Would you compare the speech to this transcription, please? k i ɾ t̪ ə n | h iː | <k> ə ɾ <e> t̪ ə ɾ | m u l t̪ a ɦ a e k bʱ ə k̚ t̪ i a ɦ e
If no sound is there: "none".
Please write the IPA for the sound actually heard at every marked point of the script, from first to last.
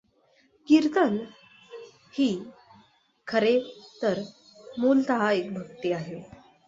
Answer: kʰ, e

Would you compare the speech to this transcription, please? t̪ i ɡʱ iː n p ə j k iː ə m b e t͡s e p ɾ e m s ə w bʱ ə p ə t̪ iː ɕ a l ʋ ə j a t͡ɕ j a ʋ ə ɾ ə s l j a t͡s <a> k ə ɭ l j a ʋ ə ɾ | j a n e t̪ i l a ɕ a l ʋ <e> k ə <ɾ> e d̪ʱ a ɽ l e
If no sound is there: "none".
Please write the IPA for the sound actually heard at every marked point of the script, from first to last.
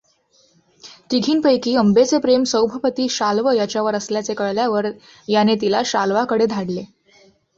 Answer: e, a, ɽ

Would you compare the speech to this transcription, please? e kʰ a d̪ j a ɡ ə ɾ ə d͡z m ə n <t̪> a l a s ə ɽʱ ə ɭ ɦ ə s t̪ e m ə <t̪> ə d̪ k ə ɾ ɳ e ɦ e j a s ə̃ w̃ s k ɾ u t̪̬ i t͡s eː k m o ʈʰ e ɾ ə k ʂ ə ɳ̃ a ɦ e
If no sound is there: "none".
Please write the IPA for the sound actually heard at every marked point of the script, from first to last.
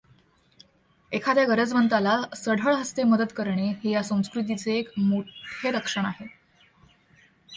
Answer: t̪, d̪

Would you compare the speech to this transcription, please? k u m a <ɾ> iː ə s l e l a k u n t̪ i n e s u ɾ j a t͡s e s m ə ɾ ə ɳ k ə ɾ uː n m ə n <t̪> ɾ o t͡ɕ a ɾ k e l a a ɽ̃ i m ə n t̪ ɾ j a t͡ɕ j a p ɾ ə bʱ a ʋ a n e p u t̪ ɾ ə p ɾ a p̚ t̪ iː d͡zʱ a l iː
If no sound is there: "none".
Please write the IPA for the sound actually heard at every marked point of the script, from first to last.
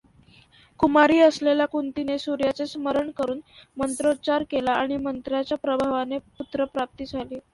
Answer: ɾ, t̪

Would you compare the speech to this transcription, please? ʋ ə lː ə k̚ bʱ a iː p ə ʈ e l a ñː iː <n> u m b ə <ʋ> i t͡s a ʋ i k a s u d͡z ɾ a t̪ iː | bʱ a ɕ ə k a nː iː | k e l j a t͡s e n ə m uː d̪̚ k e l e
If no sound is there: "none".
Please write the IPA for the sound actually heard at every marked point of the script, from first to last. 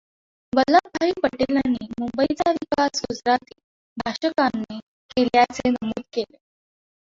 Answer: m, none

